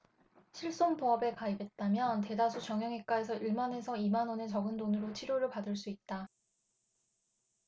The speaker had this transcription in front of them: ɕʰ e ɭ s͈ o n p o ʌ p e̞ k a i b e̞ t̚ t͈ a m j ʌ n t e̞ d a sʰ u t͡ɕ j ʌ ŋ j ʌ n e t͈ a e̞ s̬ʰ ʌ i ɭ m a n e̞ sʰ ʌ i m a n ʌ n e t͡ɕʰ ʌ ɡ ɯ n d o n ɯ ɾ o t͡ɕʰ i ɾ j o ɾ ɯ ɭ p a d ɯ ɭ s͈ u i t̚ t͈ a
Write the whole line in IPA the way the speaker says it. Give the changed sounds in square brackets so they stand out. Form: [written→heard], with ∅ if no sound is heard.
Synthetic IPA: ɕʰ [e→i] ɭ s͈ o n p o ʌ [p→b] e̞ k a i b e̞ t̚ t͈ a m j ʌ n t e̞ d a sʰ u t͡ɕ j ʌ ŋ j ʌ [n→ŋ] e [t͈→k͈] a e̞ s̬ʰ ʌ i ɭ m a n e̞ sʰ ʌ i m a n ʌ n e [t͡ɕʰ→t͡ɕ] ʌ ɡ ɯ n d o n ɯ ɾ o t͡ɕʰ i ɾ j o ɾ ɯ ɭ p a d ɯ ɭ s͈ u i t̚ t͈ a

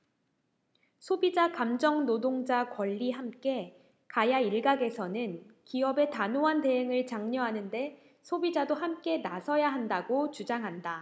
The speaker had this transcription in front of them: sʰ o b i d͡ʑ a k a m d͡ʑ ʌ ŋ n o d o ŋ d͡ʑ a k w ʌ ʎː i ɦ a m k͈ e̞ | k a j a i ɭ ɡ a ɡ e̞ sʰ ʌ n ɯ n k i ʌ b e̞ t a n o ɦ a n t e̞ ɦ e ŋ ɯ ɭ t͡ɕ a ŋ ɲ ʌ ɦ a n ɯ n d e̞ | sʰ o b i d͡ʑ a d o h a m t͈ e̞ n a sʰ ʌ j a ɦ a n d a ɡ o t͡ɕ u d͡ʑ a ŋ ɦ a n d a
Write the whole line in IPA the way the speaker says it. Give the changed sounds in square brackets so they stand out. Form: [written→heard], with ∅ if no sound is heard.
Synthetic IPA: sʰ o b i d͡ʑ a k a m d͡ʑ ʌ ŋ n o d o ŋ d͡ʑ a k w ʌ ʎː i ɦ a m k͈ e̞ | k a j a i ɭ ɡ a ɡ e̞ sʰ ʌ n ɯ n k i ʌ b e̞ t a n o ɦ a n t e̞ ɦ e ŋ ɯ ɭ t͡ɕ a ŋ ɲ ʌ ɦ a n ɯ n d e̞ | sʰ o b i d͡ʑ a d o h a m [t͈→k͈] e̞ n a sʰ ʌ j a ɦ a n d a ɡ o t͡ɕ u d͡ʑ a ŋ ɦ a n d a

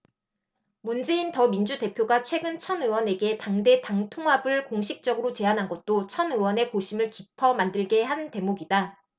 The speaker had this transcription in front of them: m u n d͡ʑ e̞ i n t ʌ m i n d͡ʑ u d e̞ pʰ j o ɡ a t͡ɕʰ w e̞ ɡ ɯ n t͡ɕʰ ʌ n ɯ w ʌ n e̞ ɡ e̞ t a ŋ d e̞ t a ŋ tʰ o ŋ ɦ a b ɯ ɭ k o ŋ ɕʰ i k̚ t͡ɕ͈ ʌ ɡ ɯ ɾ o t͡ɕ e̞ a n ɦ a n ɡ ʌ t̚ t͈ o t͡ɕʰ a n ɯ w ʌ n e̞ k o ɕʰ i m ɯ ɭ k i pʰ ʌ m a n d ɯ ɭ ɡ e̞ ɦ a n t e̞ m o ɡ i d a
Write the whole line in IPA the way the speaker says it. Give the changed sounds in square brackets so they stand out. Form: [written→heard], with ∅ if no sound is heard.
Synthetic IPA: m u n d͡ʑ e̞ i n t ʌ m i n d͡ʑ u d e̞ pʰ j o ɡ a t͡ɕʰ w e̞ ɡ ɯ n t͡ɕʰ ʌ n ɯ w ʌ n e̞ ɡ e̞ t a ŋ d e̞ t a ŋ tʰ o ŋ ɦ a b ɯ ɭ k o ŋ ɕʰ i k̚ t͡ɕ͈ ʌ ɡ ɯ ɾ o t͡ɕ e̞ a n ɦ a n ɡ ʌ t̚ t͈ o t͡ɕʰ [a→ʌ] n ɯ w ʌ n e̞ k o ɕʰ i m ɯ ɭ k i pʰ ʌ m a n d ɯ ɭ ɡ e̞ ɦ a n t e̞ m o ɡ i d a

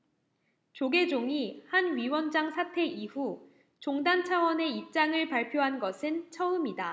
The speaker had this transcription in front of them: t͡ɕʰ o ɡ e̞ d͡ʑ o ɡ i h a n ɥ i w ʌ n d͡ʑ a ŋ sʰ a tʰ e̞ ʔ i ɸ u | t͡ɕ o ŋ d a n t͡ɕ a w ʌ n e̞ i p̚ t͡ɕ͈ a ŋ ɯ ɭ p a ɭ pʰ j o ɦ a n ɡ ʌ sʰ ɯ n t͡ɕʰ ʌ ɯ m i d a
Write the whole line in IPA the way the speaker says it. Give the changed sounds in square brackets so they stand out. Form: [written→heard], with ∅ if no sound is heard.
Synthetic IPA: [t͡ɕʰ→t͡ɕ] o ɡ e̞ d͡ʑ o [ɡ→ŋ] i h a n ɥ i w ʌ n d͡ʑ a ŋ sʰ a tʰ e̞ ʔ i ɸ u | t͡ɕ o ŋ d a n [t͡ɕ→t͡ɕʰ] a w ʌ n e̞ i p̚ t͡ɕ͈ a ŋ ɯ ɭ p a ɭ pʰ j o ɦ a n ɡ ʌ sʰ ɯ n t͡ɕʰ ʌ ɯ m i d a

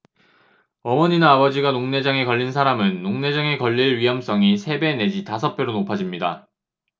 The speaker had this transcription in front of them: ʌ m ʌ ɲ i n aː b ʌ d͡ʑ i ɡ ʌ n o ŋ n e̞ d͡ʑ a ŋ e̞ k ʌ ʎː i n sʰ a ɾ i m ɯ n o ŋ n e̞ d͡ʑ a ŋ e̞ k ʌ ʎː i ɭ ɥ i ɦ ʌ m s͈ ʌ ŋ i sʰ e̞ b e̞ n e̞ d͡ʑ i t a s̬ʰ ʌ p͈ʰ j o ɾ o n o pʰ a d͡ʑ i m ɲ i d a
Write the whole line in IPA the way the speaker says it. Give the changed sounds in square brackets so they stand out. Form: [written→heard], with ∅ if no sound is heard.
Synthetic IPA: ʌ m ʌ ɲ i n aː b ʌ d͡ʑ i ɡ [ʌ→a] n o ŋ n e̞ d͡ʑ a ŋ e̞ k ʌ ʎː i n sʰ a ɾ [i→a] m ɯ [n→nː] o ŋ n e̞ d͡ʑ a ŋ e̞ k ʌ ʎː i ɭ ɥ i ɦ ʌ m s͈ ʌ ŋ i sʰ e̞ b e̞ n e̞ d͡ʑ i t a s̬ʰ ʌ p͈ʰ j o ɾ o n o pʰ a d͡ʑ i m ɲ i d a

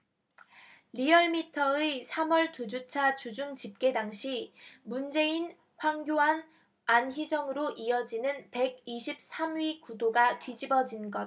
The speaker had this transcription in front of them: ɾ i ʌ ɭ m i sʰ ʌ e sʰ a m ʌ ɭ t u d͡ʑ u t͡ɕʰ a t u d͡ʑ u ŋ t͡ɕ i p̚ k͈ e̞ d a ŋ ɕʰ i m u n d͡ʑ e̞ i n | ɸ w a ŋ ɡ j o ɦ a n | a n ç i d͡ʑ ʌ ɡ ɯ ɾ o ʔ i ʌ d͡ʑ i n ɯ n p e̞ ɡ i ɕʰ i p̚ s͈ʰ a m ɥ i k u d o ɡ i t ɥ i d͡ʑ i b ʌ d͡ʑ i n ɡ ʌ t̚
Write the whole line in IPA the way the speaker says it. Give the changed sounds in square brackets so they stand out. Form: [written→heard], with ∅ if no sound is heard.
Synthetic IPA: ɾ i ʌ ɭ m i [sʰ→tʰ] ʌ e sʰ a m ʌ ɭ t u d͡ʑ u t͡ɕʰ a [t→t͡ɕ] u d͡ʑ u ŋ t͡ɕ i p̚ k͈ e̞ d a ŋ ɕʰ i m u n d͡ʑ e̞ i n | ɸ w a ŋ ɡ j o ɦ a n | a n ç i d͡ʑ ʌ [ɡ→ŋ] ɯ ɾ o ʔ i ʌ d͡ʑ i n ɯ n p e̞ ɡ i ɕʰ i p̚ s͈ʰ a m ɥ i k u d o ɡ [i→a] t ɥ i d͡ʑ i b ʌ d͡ʑ i n ɡ ʌ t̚

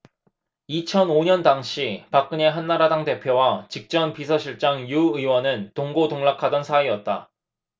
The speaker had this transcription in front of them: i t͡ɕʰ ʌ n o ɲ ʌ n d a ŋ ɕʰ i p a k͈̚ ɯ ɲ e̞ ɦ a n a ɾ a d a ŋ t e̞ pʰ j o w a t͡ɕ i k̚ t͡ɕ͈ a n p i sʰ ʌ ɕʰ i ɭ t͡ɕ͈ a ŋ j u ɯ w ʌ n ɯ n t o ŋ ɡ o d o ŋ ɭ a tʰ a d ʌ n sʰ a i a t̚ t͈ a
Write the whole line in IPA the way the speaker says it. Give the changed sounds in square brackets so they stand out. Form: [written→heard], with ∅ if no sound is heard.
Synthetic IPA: i t͡ɕʰ ʌ n o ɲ ʌ n d a ŋ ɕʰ i p a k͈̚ ɯ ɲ e̞ ɦ a [n→nː] a ɾ a d a ŋ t e̞ pʰ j o w a t͡ɕ i k̚ t͡ɕ͈ [a→ʌ] n p i sʰ ʌ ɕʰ i ɭ t͡ɕ͈ a ŋ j u ɯ w ʌ n ɯ n t o ŋ ɡ o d o ŋ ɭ a [tʰ→kʰ] a d ʌ n sʰ a i [a→ʌ] t̚ t͈ a

